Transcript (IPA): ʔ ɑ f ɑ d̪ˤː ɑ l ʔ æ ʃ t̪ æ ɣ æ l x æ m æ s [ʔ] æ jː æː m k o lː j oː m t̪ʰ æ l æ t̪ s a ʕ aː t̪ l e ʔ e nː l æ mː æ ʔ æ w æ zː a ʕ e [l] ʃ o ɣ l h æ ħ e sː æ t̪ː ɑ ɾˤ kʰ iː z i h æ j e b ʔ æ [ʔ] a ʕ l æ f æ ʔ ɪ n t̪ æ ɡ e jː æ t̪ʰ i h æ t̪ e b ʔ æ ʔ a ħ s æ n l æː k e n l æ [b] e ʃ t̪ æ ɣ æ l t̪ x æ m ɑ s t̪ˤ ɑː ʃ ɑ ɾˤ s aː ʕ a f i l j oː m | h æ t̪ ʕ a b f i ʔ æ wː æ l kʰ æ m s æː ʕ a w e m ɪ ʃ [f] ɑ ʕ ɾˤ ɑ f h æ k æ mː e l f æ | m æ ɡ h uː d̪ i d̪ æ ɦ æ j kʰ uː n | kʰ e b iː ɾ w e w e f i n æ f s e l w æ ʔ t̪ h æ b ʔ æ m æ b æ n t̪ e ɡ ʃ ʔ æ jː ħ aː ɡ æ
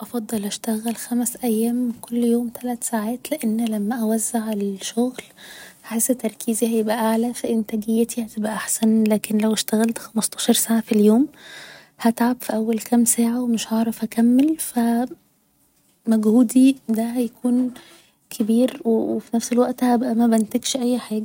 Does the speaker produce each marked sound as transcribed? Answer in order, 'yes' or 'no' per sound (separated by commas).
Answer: yes, yes, yes, no, no